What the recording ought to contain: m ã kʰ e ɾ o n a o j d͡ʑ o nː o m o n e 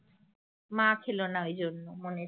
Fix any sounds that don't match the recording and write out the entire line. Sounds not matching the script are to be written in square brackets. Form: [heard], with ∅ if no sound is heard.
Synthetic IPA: m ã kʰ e [l] o n a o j d͡ʑ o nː o m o n e